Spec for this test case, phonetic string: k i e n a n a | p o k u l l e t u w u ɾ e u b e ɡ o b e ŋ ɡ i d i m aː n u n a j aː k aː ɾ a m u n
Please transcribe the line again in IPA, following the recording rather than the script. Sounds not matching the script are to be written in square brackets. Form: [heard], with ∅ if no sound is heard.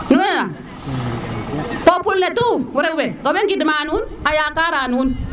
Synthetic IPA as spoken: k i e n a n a | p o [p] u l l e t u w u ɾ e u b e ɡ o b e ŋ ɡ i d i m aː n u n a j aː k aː ɾ a [n] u n